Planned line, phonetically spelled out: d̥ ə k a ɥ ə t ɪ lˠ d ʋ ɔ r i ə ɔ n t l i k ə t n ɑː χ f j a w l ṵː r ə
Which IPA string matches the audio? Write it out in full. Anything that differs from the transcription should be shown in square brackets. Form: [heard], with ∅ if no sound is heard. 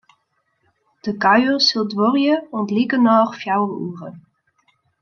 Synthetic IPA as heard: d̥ ə k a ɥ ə [s] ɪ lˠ d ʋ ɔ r [j] ə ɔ n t l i k ə [∅] n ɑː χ f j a w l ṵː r ə